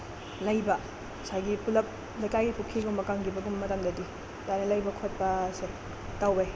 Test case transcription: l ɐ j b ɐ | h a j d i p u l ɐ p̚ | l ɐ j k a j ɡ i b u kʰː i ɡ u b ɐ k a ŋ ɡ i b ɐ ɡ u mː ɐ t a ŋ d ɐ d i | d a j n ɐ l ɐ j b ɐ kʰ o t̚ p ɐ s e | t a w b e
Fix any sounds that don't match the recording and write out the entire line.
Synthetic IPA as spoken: l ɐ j b ɐ | s a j ɡ i p u l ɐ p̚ | l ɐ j k a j ɡ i p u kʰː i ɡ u m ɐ k a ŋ ɡ i b ɐ ɡ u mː ɐ t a ŋ d ɐ d i | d a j n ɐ l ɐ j b ɐ kʰ o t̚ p ɐ s e | t a w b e